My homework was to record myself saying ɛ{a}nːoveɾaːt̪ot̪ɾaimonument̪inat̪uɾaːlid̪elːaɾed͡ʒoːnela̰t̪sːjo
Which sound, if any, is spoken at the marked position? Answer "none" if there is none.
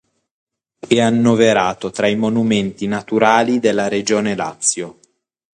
a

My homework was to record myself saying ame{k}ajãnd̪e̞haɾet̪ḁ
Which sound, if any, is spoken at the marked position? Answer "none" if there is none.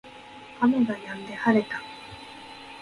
ɡ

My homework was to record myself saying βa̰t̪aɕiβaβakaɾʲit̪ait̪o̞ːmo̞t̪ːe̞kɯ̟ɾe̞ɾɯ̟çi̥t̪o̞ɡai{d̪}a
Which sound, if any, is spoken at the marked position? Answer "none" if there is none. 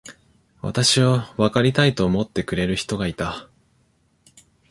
t̪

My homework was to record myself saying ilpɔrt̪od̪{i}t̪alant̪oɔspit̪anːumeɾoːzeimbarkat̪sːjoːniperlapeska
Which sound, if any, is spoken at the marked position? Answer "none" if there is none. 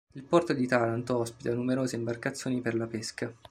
i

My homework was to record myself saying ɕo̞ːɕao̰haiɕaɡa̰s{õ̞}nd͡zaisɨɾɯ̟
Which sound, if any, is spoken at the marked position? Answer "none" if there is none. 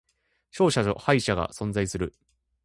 õ̞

